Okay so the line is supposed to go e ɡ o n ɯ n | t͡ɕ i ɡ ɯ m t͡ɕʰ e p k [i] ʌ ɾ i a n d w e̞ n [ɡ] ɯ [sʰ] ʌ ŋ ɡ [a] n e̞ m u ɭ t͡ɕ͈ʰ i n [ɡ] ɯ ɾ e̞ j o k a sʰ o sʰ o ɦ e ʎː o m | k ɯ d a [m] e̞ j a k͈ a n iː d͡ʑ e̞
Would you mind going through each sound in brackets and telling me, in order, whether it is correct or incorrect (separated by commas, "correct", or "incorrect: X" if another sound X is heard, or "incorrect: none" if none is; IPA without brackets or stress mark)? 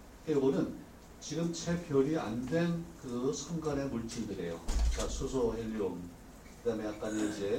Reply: incorrect: j, incorrect: k, correct, correct, incorrect: d, correct